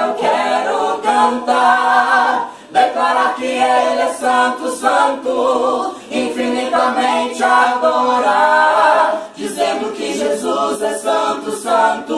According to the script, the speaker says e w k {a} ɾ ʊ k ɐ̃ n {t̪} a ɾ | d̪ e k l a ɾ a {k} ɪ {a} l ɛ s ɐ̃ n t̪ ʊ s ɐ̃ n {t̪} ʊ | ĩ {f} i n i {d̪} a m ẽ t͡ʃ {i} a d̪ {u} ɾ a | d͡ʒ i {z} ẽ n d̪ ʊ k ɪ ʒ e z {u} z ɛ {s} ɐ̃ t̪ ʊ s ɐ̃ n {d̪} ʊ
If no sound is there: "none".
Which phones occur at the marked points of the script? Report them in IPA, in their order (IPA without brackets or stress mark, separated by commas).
ɛ, t̪, k, e, t̪, f, t̪, ɪ, o, z, u, s, t̪